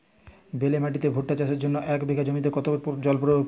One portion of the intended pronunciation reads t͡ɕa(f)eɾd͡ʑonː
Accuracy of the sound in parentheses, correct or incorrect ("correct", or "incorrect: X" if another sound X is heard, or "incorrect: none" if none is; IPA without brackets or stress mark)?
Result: incorrect: ʃ